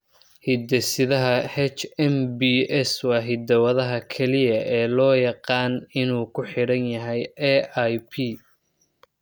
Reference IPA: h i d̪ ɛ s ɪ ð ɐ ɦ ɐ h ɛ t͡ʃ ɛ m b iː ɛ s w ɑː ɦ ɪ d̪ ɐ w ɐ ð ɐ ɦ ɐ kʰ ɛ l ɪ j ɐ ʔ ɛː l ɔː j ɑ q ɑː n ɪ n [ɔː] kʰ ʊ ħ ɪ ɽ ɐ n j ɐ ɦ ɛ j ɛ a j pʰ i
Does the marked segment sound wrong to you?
yes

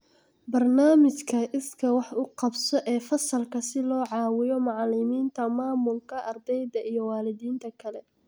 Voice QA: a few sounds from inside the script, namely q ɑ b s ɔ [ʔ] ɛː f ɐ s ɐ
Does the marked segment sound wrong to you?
no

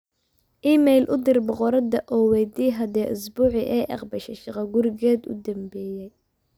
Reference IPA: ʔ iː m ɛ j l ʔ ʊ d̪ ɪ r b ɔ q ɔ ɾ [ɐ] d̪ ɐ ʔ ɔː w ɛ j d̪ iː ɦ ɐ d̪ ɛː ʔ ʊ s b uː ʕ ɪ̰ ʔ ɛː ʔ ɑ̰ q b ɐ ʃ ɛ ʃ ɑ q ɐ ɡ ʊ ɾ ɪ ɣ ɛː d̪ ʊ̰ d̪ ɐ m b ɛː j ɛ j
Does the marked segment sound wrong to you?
no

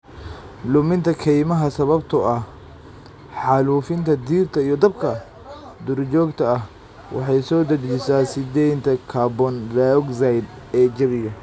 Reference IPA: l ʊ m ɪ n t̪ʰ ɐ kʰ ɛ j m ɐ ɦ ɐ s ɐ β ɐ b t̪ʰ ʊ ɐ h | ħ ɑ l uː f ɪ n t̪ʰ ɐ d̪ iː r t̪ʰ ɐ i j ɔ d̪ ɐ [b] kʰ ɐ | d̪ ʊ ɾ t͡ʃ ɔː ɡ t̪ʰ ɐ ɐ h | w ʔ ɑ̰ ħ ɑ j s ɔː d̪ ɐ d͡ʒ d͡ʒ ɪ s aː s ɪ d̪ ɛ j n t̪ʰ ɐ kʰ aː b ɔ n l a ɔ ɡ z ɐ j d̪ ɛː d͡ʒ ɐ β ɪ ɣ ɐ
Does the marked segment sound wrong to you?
no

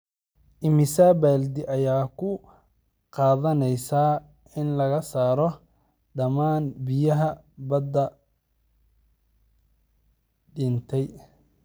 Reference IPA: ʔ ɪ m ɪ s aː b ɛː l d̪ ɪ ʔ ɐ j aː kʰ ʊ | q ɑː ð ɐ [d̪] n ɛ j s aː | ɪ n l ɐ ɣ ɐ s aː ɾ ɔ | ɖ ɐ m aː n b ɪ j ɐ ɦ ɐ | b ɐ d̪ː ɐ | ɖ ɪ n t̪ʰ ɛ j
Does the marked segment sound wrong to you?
yes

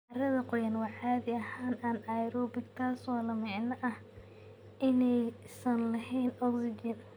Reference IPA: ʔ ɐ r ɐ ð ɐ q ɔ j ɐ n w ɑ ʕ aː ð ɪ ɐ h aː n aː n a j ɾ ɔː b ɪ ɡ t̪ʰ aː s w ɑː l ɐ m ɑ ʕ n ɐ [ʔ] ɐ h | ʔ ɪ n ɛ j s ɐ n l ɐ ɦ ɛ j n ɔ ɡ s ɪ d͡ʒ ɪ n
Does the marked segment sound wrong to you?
no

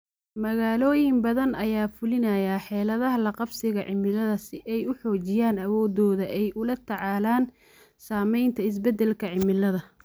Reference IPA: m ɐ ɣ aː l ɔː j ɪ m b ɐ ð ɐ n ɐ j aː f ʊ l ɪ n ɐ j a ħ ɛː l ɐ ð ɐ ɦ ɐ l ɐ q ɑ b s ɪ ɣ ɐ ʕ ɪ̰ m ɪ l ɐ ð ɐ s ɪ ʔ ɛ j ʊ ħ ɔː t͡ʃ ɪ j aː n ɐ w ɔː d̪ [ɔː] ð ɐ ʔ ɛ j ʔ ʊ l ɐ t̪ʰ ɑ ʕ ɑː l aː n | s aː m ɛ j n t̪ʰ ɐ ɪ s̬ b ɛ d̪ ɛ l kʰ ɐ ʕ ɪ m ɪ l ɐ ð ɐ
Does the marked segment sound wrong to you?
no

